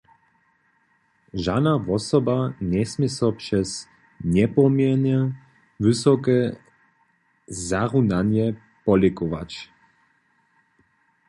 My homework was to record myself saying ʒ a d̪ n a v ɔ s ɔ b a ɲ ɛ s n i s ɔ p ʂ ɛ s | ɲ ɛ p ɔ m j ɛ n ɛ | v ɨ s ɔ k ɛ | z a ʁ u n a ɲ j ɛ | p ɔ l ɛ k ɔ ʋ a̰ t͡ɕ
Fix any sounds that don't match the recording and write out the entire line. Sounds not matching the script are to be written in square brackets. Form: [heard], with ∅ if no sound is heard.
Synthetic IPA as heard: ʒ a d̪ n a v ɔ s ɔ b a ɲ ɛ s [m] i s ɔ p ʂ ɛ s | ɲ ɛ p ɔ m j ɛ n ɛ | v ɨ s ɔ k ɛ | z a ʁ u n a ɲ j ɛ | p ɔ l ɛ k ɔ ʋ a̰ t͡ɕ